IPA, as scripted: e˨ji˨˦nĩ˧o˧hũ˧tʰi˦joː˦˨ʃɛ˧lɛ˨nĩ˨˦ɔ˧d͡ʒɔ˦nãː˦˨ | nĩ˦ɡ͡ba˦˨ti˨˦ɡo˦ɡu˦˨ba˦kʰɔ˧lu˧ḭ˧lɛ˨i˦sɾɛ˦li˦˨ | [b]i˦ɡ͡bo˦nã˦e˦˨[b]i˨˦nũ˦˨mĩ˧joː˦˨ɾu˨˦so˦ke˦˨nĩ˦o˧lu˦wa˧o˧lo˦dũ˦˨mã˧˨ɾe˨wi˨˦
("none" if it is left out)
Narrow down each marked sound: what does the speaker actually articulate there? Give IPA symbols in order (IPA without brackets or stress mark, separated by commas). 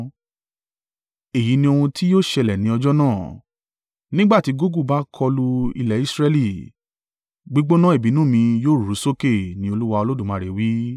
ɡ͡b, b